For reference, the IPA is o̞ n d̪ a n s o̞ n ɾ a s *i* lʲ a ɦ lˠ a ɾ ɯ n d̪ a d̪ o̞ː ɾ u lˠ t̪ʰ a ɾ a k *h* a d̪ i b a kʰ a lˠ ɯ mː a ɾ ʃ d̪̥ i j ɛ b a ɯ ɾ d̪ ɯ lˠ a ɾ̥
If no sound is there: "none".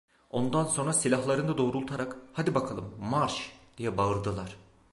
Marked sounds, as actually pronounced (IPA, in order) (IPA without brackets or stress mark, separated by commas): i, h